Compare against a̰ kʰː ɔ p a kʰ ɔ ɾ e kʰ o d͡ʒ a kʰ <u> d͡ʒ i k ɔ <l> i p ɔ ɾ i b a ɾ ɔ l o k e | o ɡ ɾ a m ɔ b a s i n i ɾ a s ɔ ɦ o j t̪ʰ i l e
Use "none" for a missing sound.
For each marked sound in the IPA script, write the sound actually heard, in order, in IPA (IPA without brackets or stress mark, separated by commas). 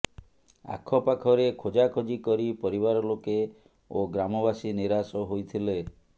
o, ɾ